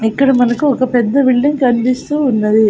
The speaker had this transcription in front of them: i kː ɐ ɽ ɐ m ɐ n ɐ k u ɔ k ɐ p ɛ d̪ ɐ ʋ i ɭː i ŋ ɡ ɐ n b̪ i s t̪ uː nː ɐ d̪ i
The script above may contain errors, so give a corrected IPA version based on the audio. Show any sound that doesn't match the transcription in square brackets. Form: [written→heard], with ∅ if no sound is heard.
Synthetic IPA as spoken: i kː ɐ ɽ ɐ m ɐ n ɐ k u ɔ k ɐ p ɛ [d̪→d̪ː] ɐ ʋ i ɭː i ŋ [ɡ→k] ɐ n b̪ i s t̪ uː nː ɐ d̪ i